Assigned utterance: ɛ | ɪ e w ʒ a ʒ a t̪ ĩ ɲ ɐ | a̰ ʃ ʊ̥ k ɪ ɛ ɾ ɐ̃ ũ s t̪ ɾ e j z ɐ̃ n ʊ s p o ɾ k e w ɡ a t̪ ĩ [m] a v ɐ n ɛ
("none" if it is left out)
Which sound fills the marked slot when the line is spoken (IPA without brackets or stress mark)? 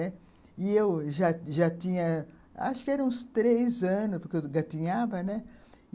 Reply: ɲ